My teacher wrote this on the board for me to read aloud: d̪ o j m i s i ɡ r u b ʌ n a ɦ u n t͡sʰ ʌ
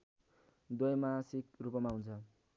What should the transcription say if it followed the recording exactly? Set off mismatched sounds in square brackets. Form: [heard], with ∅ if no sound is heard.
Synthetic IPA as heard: d̪ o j m [a] s i [k] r u [p] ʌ [m] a ɦ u n t͡sʰ ʌ